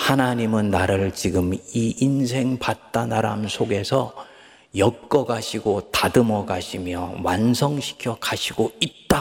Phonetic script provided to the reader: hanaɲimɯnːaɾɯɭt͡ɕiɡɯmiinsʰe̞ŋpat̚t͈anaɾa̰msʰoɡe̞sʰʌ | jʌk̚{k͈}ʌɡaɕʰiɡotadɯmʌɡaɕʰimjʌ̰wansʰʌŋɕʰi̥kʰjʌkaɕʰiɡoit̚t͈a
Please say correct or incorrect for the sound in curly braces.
correct